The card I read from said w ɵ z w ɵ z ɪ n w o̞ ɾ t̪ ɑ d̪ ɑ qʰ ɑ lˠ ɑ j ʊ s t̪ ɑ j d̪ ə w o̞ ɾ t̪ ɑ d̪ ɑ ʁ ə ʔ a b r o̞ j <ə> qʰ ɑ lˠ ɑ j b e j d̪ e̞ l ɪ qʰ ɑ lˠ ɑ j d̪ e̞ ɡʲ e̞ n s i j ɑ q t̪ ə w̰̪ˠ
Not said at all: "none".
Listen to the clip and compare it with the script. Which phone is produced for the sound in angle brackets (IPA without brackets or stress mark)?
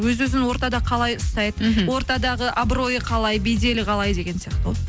ə